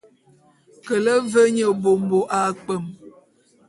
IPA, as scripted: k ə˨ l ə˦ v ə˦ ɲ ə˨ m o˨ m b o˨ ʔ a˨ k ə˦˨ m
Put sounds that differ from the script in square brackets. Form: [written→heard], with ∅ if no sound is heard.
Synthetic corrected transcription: k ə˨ l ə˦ v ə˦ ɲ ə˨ [m→b] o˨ m b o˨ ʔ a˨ [k→k͡p] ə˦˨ m